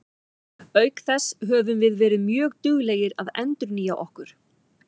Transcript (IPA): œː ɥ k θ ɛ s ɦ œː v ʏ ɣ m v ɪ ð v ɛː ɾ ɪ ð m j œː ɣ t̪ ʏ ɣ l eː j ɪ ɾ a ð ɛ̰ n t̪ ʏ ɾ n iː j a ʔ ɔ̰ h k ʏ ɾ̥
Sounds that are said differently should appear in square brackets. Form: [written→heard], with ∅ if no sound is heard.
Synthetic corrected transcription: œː ɥ k θ ɛ s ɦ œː v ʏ [ɣ→∅] m v ɪ ð v ɛː ɾ ɪ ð m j œː ɣ t̪ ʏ ɣ l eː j ɪ ɾ a ð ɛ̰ n t̪ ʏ ɾ n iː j a ʔ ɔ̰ h k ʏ ɾ̥

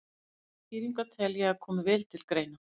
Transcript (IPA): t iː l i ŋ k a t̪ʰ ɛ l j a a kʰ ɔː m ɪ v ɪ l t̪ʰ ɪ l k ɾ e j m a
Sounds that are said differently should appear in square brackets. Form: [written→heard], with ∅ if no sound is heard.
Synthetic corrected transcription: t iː [l→ɾ] i ŋ k a t̪ʰ ɛ l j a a kʰ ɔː m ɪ v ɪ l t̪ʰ ɪ l k ɾ e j [m→n] a

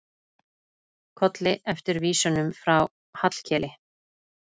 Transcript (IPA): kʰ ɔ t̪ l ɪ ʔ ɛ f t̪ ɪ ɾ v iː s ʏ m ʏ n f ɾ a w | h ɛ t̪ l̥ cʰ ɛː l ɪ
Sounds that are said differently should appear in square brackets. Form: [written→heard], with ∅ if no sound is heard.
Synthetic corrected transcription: kʰ ɔ t̪ l ɪ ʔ ɛ f t̪ ɪ ɾ v iː s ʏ [m→n] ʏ [n→m] f ɾ a w | h [ɛ→a] t̪ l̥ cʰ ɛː l ɪ

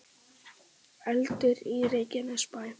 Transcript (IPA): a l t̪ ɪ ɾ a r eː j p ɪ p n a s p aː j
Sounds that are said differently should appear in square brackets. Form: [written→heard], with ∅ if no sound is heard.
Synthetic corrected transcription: [a→ɛ] l t̪ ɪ ɾ [a→i] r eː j [p→c] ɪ [p→∅] n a s p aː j

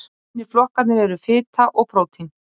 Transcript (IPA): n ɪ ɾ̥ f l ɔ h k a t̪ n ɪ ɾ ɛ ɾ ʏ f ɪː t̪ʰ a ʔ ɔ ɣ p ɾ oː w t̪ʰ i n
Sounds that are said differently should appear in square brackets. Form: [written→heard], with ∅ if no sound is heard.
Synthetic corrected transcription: n ɪ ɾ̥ f l ɔ h k a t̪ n ɪ ɾ ɛ ɾ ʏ f ɪː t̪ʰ a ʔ ɔ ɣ p ɾ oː w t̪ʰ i n

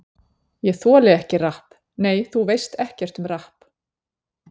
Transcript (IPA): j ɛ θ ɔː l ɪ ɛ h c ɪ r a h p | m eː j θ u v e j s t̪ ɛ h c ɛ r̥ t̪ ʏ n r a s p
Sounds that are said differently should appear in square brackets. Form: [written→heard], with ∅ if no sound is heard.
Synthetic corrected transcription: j ɛ θ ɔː l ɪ ɛ h c ɪ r a h p | [m→n] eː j θ u v e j s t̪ ɛ h c ɛ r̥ t̪ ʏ [n→m] r a [s→h] p

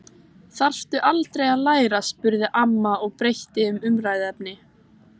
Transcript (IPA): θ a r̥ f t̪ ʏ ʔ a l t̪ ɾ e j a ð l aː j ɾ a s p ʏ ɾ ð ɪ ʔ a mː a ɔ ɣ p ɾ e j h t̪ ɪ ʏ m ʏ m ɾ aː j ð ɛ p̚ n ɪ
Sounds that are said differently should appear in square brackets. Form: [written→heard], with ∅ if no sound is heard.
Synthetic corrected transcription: θ a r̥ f t̪ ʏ ʔ a l t̪ ɾ e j a ð l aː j ɾ a s p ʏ ɾ ð ɪ ʔ a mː a ɔ ɣ p ɾ e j h t̪ ɪ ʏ m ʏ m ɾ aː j ð ɛ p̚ n ɪ

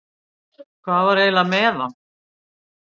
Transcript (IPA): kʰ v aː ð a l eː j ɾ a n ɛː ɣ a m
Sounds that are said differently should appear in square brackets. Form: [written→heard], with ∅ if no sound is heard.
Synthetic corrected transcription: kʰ v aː [ð→v] a [l→ɾ] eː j [ɾ→l] a [n→m] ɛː [ɣ→ð] a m

